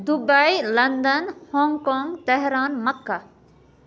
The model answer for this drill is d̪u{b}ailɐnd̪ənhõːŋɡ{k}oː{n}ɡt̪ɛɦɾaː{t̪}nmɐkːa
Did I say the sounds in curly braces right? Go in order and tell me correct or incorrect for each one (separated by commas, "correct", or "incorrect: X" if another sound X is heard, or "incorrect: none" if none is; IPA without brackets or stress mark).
correct, correct, incorrect: ŋ, incorrect: none